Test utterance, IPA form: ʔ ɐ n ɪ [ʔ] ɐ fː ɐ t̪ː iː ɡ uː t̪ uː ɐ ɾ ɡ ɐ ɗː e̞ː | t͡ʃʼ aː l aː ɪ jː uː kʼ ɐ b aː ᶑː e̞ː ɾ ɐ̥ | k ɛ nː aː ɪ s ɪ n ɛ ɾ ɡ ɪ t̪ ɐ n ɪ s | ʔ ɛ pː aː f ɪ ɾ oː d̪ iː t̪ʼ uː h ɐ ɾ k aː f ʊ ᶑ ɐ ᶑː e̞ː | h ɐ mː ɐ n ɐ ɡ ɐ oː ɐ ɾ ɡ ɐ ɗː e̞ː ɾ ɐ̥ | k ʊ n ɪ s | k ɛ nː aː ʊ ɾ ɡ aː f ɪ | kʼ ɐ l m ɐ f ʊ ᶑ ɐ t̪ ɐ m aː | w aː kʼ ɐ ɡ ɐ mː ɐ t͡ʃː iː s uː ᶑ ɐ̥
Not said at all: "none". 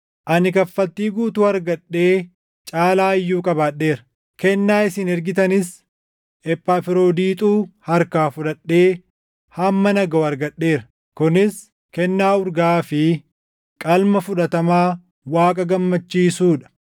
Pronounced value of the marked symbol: k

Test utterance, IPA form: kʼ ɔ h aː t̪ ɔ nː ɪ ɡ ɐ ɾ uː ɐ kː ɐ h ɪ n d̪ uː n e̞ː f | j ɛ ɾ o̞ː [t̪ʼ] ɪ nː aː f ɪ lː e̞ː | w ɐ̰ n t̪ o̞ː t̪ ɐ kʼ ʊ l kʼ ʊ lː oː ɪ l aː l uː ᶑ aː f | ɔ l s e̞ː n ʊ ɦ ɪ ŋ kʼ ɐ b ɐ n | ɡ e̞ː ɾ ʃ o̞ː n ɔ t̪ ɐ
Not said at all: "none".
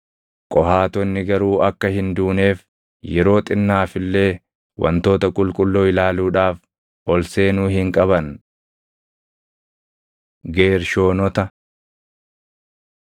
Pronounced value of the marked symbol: t̪ʼ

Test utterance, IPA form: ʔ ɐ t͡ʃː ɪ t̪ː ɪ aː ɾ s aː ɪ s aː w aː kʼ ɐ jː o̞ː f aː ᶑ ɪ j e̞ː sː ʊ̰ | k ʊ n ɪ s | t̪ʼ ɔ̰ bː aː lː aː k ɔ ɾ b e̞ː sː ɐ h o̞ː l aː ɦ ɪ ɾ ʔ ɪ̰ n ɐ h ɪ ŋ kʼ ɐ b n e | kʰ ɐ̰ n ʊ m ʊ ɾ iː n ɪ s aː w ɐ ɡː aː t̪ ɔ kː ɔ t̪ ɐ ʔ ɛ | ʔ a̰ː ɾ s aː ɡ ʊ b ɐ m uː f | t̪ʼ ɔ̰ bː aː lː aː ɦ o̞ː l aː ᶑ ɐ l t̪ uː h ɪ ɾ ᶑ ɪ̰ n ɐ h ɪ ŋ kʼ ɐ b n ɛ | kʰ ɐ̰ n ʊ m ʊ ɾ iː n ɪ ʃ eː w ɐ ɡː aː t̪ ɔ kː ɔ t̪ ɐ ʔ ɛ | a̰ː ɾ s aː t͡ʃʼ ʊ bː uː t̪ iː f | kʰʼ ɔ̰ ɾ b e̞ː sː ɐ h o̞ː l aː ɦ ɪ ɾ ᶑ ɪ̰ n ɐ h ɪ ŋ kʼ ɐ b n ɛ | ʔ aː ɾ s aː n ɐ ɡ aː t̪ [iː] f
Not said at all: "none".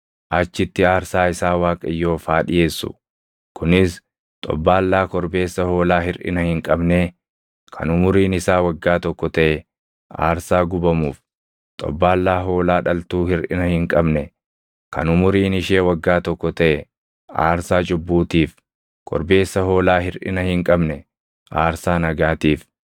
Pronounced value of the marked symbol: iː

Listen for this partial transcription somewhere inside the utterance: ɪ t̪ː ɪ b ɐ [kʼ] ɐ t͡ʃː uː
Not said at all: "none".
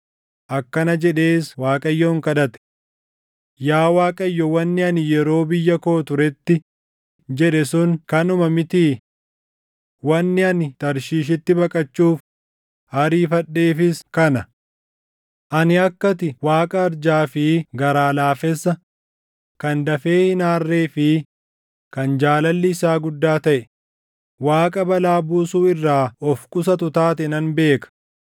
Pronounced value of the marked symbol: kʼ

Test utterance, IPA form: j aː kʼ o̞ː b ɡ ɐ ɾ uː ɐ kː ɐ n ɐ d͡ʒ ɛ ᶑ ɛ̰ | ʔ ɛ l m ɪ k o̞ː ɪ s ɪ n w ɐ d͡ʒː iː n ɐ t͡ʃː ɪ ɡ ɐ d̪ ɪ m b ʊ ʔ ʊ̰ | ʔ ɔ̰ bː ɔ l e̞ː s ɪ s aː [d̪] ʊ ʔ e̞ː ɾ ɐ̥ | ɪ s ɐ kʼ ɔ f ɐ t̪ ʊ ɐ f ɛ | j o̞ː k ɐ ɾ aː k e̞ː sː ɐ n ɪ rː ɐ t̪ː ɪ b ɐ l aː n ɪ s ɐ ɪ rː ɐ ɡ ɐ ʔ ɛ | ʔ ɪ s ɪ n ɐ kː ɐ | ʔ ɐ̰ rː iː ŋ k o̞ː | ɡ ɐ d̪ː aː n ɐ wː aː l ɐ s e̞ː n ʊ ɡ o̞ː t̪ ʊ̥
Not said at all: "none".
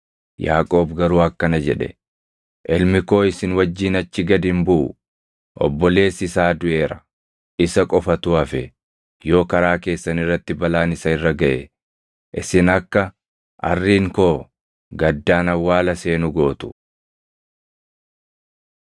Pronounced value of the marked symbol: d̪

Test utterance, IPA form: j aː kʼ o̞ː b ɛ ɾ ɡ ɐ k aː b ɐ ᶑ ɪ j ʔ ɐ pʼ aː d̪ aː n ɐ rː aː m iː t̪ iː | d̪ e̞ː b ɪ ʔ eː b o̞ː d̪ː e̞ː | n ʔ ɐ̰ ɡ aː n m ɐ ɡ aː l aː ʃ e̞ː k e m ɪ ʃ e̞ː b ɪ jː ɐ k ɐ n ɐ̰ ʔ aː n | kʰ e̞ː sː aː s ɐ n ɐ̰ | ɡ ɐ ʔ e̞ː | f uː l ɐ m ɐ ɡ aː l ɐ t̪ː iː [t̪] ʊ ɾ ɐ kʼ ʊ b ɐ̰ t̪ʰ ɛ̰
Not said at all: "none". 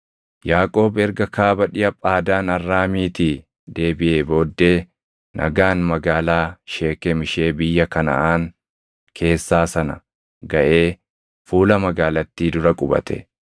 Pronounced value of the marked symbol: d̪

